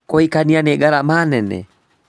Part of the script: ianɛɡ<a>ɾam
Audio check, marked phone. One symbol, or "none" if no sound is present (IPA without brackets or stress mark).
a